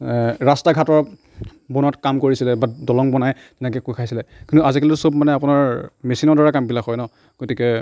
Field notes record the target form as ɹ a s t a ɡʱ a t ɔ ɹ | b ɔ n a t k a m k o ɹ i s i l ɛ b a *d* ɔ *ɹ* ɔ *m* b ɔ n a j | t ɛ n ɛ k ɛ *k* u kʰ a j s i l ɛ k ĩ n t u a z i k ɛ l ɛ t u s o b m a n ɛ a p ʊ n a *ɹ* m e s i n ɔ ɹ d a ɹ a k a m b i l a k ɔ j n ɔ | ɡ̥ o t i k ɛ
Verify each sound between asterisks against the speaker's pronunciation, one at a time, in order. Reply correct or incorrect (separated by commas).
correct, incorrect, incorrect, correct, correct